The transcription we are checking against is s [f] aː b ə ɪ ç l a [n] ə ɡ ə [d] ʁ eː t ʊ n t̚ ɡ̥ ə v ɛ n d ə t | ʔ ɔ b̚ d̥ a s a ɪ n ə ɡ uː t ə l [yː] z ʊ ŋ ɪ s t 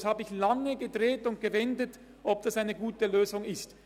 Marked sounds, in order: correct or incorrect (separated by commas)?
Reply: incorrect, incorrect, correct, incorrect